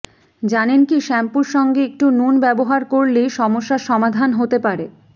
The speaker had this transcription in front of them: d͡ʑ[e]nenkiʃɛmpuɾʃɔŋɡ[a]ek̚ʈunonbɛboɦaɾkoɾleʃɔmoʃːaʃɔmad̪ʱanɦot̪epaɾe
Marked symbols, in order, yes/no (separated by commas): no, no